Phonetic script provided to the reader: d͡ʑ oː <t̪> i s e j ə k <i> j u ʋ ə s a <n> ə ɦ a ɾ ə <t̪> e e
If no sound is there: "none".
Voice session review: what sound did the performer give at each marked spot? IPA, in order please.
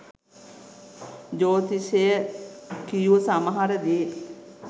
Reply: t̪, i, m, d̪

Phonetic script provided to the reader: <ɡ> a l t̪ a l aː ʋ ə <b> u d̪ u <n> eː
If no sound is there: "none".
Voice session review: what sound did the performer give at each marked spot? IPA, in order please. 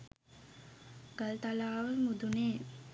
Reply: ɡ, m, n

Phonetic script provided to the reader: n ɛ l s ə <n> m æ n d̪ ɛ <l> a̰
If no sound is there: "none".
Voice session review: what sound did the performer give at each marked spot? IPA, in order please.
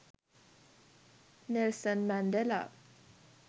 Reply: n, l

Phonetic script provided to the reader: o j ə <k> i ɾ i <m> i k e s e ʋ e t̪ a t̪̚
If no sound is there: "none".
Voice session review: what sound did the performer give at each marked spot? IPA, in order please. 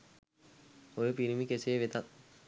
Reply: p, m

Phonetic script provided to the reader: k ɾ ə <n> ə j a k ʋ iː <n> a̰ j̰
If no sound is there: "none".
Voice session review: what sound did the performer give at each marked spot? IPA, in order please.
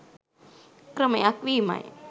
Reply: m, m

